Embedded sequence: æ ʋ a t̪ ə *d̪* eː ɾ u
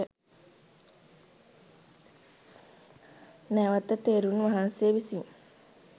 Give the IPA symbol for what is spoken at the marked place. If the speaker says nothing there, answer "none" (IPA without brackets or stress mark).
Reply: t̪